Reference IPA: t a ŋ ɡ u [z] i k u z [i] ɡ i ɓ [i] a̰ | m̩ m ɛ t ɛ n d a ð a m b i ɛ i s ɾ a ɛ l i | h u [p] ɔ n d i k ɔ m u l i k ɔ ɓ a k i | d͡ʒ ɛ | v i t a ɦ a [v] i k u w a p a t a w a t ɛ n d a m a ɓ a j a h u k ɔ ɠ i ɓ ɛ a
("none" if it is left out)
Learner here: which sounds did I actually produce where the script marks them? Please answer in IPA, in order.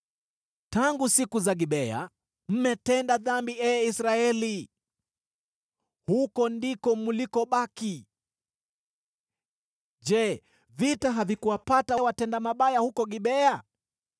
s, a, ɛ, k, v

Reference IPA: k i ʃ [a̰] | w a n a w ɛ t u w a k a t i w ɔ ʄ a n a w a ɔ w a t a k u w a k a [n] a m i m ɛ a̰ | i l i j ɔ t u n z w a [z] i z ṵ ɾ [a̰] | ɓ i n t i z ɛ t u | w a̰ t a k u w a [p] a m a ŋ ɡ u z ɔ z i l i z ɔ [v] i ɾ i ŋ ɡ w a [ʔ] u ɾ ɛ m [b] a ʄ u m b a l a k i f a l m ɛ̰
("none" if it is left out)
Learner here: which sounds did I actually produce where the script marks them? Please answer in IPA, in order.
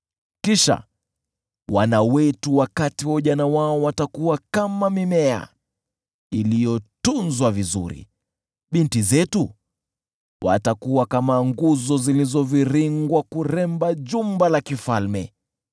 a̰, m, v, ḭ, k, v, k, b

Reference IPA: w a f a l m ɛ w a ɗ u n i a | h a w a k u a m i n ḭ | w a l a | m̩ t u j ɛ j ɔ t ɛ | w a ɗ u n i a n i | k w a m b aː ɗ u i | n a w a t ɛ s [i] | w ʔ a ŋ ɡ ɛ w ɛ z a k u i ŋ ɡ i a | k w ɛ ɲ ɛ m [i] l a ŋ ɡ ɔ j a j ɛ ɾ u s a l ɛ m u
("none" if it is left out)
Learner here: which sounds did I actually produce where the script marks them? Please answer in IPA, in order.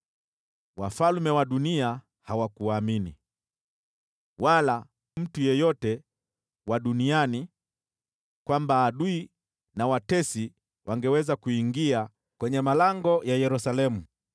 i, a

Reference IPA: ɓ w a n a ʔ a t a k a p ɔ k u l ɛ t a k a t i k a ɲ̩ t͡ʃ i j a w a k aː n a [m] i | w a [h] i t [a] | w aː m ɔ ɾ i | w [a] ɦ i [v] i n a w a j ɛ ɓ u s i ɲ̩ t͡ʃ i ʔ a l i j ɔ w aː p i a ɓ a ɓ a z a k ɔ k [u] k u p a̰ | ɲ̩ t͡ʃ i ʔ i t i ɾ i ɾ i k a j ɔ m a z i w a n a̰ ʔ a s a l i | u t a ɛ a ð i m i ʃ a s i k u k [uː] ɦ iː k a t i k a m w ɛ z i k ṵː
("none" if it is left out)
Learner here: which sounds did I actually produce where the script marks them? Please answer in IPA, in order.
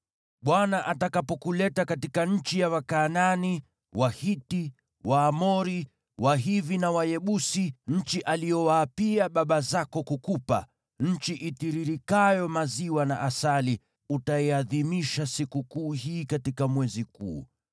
n, h, i, a, v, u, uː

